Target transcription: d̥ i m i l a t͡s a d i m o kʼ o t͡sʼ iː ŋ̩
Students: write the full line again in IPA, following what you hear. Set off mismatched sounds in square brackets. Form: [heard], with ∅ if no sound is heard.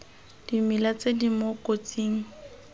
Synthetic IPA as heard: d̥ i m i l a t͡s [e] d i m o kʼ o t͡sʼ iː ŋ̩